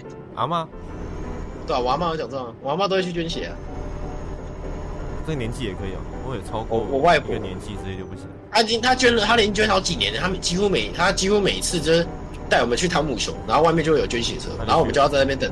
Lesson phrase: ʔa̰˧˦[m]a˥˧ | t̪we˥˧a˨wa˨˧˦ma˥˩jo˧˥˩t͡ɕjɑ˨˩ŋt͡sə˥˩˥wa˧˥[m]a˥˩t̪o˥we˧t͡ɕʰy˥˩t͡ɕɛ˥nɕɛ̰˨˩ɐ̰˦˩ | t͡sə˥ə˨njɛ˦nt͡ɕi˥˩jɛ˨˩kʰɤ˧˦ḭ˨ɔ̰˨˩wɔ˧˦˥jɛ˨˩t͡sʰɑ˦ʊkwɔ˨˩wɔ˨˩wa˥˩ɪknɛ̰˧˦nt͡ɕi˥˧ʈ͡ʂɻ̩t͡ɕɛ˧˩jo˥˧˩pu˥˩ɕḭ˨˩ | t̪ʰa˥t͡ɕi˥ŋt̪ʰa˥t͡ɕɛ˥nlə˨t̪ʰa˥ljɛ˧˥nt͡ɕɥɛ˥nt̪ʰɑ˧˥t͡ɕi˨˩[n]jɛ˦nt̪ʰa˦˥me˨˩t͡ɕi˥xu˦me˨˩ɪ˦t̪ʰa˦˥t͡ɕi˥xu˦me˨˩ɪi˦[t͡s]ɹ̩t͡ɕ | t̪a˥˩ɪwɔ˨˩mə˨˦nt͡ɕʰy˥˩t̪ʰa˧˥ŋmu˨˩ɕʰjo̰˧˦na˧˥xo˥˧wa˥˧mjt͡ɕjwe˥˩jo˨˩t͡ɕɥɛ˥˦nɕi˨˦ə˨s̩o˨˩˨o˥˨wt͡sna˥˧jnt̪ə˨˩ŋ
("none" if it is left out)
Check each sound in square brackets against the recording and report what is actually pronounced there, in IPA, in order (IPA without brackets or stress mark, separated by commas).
m, m, n, t͡sʰ